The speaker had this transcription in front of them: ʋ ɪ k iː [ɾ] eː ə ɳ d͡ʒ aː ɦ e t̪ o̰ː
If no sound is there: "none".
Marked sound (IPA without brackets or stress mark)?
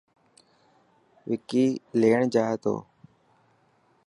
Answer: l